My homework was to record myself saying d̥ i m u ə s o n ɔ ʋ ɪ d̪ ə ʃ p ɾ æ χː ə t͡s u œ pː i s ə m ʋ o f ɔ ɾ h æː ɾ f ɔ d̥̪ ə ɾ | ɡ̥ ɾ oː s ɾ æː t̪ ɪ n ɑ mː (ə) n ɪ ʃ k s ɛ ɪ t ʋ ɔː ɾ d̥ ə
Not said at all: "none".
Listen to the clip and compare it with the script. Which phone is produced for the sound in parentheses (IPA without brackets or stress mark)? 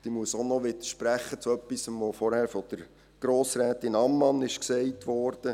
ɑ